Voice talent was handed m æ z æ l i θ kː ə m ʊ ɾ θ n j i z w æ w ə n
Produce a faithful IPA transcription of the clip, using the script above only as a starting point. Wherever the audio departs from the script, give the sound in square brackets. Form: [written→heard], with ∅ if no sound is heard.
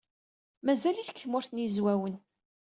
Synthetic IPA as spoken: m æ z æ l i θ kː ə m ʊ ɾ θ n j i z w æ w ə n